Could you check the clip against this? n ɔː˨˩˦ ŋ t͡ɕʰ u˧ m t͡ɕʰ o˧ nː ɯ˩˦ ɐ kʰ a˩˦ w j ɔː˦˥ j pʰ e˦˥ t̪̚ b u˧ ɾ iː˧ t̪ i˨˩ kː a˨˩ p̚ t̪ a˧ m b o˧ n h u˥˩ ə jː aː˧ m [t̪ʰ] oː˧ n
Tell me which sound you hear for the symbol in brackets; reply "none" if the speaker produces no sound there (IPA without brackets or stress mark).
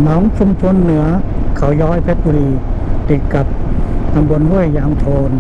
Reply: t̪ʰ